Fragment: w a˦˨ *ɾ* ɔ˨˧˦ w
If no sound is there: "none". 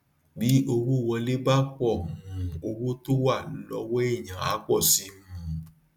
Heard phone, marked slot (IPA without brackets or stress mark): l